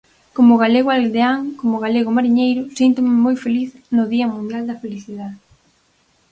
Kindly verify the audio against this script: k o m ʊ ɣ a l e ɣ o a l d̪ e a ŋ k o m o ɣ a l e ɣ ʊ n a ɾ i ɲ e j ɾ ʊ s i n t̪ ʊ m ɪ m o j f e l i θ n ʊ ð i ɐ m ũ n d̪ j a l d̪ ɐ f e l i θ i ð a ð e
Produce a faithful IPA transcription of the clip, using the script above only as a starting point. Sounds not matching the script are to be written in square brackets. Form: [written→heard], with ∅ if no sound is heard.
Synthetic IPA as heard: k o m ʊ ɣ a l e ɣ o a l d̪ e a ŋ k o m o ɣ a l e ɣ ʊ [n→m] a ɾ i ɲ e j ɾ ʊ s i n t̪ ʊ m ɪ m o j f e l i θ n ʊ ð i ɐ m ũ n d̪ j a l d̪ ɐ f e l i θ i ð a ð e